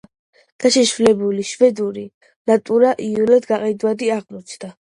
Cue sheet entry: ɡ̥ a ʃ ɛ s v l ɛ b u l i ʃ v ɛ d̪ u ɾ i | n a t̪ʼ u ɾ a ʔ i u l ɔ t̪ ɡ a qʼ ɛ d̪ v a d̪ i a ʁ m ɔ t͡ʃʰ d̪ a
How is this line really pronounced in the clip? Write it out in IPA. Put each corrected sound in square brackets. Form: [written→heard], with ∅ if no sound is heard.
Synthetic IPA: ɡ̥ a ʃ ɛ [s→ʃ] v l ɛ b u l i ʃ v ɛ d̪ u ɾ i | n a t̪ʼ u ɾ a ʔ i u l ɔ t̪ ɡ a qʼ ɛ d̪ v a d̪ i a ʁ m ɔ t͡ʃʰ d̪ a